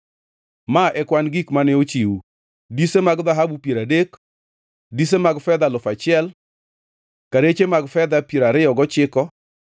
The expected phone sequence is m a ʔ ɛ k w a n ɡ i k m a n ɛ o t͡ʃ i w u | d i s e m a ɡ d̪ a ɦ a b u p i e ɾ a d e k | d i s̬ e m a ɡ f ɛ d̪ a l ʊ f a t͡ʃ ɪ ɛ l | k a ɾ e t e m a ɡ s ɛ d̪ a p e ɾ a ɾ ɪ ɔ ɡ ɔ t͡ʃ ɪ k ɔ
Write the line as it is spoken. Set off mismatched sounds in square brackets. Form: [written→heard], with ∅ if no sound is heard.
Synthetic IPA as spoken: m a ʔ ɛ k w a n ɡ i k m a n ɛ o t͡ʃ i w u | d i s e m a ɡ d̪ a ɦ a b u p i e ɾ a d e k | d i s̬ e m a ɡ f ɛ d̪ a l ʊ f a t͡ʃ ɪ ɛ l | k a ɾ e [t→t͡ʃ] e m a ɡ [s→f] ɛ d̪ a p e ɾ a ɾ ɪ ɔ ɡ ɔ t͡ʃ ɪ k ɔ